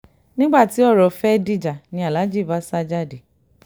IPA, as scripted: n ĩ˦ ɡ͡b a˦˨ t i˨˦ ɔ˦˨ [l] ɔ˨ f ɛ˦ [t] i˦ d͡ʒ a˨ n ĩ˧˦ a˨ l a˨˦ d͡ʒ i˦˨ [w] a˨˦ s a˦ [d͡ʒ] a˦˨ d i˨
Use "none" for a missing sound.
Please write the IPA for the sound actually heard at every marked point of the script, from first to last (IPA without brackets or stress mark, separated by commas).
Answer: ɾ, d, v, d͡ʒ